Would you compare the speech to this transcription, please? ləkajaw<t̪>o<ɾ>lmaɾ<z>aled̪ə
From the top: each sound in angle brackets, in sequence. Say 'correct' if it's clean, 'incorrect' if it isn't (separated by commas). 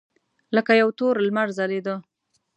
correct, correct, correct